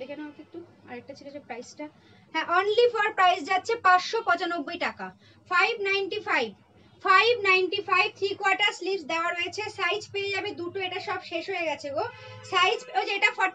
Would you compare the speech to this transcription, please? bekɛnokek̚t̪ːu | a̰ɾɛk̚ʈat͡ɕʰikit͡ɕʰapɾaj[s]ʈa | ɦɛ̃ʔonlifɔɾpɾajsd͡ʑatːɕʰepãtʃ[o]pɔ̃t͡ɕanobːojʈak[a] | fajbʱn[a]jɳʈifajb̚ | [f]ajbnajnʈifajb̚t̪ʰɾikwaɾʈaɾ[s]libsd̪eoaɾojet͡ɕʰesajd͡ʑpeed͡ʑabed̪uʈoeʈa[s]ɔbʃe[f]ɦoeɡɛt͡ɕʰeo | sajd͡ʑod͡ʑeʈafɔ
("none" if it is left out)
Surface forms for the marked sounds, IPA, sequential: s, o, a, a, f, s, ʃ, ʃ

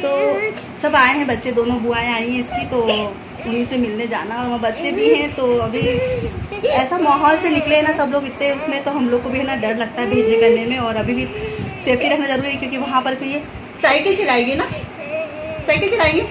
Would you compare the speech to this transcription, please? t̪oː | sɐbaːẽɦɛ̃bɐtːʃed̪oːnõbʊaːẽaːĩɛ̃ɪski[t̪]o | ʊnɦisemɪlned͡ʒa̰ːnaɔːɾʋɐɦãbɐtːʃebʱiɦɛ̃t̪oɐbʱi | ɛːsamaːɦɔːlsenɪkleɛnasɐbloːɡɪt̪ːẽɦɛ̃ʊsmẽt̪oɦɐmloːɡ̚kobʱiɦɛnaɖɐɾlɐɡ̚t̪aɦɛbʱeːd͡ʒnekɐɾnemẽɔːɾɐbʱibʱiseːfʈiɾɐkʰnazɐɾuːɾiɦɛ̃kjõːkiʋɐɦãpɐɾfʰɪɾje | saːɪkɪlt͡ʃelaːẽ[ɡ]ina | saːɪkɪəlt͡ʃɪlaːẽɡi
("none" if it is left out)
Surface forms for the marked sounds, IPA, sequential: t̪, ɡ

